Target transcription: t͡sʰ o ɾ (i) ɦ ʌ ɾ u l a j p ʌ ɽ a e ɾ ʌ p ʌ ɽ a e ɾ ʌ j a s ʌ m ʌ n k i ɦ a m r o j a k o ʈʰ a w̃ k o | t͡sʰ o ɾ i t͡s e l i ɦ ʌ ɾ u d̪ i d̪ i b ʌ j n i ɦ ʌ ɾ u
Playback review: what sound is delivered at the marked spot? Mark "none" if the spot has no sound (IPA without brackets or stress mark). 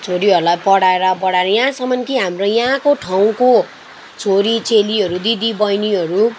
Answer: i